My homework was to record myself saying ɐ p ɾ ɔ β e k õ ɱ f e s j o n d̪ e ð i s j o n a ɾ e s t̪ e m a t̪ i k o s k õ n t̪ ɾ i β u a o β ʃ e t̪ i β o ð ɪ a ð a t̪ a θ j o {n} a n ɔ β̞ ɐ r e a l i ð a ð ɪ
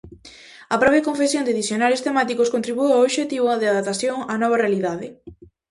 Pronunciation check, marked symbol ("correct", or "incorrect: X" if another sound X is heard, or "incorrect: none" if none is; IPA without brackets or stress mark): incorrect: ŋ